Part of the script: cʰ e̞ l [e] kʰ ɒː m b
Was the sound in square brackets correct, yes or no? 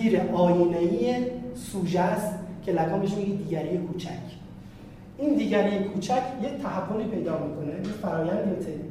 no